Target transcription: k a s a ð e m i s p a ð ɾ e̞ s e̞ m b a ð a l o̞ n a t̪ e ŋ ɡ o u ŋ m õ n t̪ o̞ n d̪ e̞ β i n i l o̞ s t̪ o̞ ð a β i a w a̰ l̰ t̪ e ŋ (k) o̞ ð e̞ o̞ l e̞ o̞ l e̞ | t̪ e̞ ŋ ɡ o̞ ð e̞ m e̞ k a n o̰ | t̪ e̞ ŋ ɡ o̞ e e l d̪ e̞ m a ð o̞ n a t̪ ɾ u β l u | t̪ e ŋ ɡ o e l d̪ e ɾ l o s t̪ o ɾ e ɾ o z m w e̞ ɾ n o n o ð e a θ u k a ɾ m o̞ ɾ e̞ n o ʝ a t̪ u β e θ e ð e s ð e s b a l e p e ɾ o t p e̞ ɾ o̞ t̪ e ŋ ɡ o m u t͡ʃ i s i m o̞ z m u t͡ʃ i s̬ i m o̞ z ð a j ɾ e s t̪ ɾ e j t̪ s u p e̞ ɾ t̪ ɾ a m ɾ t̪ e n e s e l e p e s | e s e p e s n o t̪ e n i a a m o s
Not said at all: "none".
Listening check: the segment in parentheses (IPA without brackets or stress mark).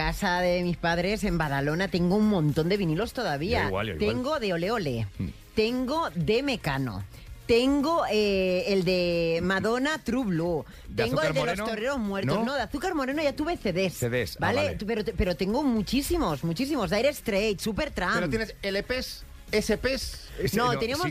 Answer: ɡ